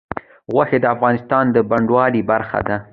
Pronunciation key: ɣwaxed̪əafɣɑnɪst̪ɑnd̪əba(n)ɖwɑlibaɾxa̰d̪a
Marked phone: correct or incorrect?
incorrect